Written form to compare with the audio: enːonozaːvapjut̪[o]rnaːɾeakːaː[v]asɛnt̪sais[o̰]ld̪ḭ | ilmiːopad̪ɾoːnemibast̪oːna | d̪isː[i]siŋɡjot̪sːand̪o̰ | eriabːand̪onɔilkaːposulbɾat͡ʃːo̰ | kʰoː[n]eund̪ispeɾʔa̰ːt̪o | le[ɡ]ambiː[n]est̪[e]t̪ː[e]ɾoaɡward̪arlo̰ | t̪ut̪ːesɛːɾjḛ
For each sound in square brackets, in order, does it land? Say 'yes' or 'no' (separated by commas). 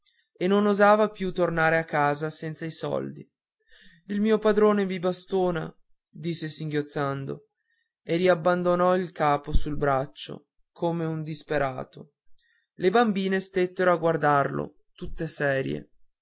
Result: yes, no, no, no, no, no, yes, yes, yes